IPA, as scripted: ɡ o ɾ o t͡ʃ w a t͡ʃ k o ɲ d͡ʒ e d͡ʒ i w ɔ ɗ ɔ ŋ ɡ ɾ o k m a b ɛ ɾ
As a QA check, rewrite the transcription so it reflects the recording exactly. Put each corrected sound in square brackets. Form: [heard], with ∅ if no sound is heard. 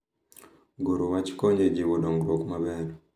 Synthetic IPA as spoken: ɡ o ɾ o [∅] w a t͡ʃ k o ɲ d͡ʒ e d͡ʒ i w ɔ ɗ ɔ ŋ ɡ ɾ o k m a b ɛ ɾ

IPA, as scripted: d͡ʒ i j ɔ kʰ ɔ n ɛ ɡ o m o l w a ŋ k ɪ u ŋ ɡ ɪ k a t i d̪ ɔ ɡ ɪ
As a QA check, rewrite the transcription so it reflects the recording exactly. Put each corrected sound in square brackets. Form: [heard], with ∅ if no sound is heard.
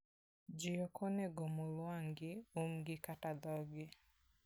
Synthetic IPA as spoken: d͡ʒ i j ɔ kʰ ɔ n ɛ ɡ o m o l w a ŋ [ɡ] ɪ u [m] ɡ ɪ k a t [a] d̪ ɔ ɡ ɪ

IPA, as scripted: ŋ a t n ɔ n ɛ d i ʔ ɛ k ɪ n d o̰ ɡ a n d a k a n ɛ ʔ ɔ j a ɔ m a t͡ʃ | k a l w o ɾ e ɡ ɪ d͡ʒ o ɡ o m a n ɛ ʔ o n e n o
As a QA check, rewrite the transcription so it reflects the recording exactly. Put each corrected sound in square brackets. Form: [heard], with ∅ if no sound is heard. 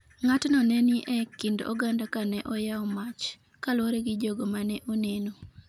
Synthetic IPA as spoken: ŋ a t n ɔ n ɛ [n] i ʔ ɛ k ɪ n d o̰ ɡ a n d a k a n ɛ ʔ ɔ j a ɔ m a t͡ʃ | k a l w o ɾ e ɡ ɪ d͡ʒ o ɡ o m a n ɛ ʔ o n e n o

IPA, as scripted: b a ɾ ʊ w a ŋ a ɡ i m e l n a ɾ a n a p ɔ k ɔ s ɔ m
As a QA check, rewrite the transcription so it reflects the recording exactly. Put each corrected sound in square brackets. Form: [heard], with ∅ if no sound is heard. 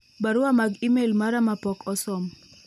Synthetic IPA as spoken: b a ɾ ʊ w a [m] a ɡ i m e l [m] a ɾ a [m] a p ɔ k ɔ s ɔ m

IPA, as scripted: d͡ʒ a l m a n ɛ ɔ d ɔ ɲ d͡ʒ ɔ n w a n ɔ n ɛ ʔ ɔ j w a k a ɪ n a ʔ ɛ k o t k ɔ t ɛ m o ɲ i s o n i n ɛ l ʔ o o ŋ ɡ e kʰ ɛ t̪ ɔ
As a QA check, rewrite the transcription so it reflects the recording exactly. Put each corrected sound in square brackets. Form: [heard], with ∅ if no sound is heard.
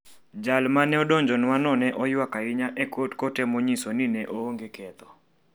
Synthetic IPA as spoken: d͡ʒ a l m a n ɛ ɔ d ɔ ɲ d͡ʒ ɔ n w a n ɔ n ɛ ʔ ɔ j w a k a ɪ [ɲ] a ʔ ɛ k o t k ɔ t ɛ m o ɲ i s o n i n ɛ [∅] ʔ o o ŋ ɡ e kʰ ɛ t̪ ɔ

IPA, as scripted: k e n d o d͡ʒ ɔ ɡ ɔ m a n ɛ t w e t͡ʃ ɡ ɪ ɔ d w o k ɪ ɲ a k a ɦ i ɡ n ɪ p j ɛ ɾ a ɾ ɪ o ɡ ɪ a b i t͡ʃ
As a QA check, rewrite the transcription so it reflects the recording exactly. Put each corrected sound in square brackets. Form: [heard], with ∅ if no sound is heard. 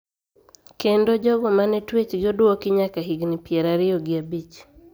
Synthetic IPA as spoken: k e n d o d͡ʒ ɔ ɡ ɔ m a n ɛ t w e t͡ʃ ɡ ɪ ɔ d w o k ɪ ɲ a k a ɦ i ɡ n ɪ p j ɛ ɾ a ɾ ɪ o ɡ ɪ a b i t͡ʃ

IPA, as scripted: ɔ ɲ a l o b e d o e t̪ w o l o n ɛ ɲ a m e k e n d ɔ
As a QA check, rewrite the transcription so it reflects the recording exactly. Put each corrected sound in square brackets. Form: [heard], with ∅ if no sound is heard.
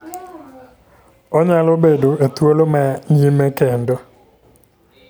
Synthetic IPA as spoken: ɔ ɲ a l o b e d o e t̪ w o l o [m] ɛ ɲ [i] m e k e n d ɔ

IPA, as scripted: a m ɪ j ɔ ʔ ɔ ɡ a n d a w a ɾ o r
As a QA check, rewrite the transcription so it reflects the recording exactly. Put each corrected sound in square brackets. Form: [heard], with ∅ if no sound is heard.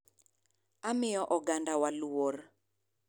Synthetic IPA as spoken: a m ɪ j ɔ ʔ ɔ ɡ a n d a w a [l] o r

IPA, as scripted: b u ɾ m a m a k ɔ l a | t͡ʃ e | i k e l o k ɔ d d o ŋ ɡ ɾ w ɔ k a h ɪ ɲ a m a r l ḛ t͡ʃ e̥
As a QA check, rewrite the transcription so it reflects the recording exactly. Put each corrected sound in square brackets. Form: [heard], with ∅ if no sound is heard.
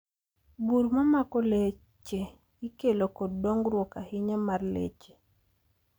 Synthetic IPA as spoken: b u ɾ m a m a k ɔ l [e] | t͡ʃ e | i k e l o k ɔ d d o ŋ ɡ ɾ w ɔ k a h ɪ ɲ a m a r l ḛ t͡ʃ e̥

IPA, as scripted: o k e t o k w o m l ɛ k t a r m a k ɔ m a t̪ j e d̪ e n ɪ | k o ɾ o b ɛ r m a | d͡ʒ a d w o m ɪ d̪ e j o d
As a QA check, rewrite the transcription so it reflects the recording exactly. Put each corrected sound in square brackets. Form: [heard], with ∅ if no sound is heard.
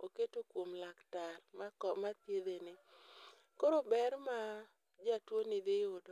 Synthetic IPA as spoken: o k e t o k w o m l [a] k t a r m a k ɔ m a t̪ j e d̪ e n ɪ | k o ɾ o b ɛ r m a | d͡ʒ a [t] w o [n] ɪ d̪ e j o d

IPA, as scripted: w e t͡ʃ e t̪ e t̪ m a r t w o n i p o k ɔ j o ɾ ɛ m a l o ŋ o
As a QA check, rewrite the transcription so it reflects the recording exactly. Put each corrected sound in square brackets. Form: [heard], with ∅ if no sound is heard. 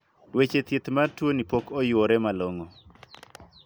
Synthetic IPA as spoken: w e t͡ʃ e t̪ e t̪ m a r t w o n i p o k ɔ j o ɾ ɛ m a l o ŋ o

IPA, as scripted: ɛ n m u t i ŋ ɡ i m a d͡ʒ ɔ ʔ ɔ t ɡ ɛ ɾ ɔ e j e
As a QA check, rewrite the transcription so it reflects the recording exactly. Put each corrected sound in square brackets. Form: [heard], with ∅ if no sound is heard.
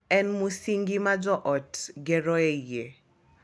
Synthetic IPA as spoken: ɛ n m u [s] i ŋ ɡ i m a d͡ʒ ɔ ʔ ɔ t ɡ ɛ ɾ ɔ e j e

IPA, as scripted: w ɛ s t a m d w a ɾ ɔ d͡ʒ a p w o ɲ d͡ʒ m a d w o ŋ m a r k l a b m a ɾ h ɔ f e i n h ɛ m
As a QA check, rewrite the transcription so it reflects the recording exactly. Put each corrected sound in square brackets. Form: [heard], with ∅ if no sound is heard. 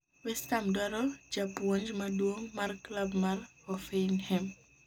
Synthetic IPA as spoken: w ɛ s t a m d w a ɾ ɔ d͡ʒ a p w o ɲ d͡ʒ m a d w o ŋ m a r k l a b m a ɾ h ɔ f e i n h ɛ m

